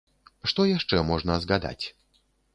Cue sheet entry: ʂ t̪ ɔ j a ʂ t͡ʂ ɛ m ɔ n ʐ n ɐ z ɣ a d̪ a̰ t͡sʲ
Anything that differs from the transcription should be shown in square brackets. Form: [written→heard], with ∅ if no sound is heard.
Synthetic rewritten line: ʂ t̪ ɔ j a ʂ t͡ʂ ɛ m ɔ [n→∅] ʐ n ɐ z ɣ a d̪ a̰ t͡sʲ